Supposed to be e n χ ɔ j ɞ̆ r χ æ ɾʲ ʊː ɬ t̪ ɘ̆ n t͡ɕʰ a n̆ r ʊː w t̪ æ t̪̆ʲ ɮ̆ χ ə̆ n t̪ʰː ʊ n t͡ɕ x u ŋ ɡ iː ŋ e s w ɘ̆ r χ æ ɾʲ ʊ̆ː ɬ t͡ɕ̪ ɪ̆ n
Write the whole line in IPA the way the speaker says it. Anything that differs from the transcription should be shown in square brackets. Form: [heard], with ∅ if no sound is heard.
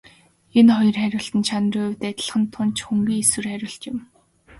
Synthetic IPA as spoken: e n χ ɔ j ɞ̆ r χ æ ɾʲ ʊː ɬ t̪ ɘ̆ n t͡ɕʰ a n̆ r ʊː w t̪ æ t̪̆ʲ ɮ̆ χ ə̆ n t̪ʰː ʊ n t͡ɕ x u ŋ ɡ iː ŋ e s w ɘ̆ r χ æ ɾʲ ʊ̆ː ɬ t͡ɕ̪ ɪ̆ [m]